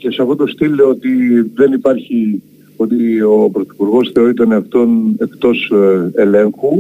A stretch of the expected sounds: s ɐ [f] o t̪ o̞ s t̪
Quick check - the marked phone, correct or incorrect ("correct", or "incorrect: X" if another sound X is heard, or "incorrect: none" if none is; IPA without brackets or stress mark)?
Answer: correct